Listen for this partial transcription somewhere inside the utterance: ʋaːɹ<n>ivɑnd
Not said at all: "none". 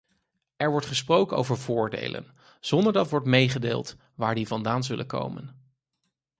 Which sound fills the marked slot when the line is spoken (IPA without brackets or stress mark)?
d